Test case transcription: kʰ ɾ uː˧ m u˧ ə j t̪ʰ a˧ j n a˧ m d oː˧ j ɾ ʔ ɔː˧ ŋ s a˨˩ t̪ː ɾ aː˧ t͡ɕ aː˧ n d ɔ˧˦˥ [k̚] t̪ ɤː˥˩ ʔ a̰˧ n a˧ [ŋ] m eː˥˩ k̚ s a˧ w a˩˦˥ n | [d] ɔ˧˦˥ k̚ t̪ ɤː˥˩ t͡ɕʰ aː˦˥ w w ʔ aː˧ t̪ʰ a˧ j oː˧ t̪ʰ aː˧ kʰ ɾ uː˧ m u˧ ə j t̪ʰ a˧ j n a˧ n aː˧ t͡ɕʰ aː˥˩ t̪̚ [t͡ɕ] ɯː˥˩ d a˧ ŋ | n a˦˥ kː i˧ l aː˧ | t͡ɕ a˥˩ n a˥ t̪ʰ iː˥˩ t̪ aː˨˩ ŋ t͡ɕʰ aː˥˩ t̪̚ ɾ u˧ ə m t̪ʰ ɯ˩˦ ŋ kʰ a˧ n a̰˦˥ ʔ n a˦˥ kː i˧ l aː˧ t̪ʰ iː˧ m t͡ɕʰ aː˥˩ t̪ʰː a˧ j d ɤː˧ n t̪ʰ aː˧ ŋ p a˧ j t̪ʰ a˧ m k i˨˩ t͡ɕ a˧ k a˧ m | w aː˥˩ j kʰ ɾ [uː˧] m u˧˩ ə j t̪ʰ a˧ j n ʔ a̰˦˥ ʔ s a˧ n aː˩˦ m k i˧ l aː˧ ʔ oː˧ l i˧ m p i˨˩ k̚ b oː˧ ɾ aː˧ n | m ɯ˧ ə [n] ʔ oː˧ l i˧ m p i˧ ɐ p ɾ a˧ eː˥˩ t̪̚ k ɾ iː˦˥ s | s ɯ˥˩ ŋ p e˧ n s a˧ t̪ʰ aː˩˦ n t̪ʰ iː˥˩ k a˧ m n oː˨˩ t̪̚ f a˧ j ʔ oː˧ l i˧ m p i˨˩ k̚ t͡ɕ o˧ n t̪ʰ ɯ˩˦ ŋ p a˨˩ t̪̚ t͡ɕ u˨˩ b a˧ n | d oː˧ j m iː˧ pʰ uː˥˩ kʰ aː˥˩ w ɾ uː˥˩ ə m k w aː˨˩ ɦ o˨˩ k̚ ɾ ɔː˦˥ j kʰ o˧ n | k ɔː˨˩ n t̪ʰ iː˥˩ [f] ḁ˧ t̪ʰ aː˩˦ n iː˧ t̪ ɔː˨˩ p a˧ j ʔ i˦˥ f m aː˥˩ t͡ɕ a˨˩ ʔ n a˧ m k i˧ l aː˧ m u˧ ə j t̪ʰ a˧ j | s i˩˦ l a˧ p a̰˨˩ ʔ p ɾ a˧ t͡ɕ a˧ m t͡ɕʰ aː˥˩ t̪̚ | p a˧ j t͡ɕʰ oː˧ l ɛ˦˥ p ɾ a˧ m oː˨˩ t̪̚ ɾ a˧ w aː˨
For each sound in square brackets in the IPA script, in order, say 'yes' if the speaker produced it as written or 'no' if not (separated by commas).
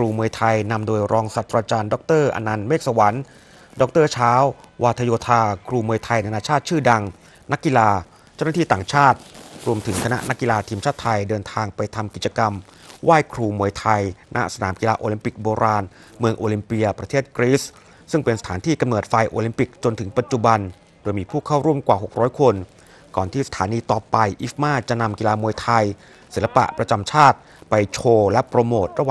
yes, no, yes, no, yes, no, no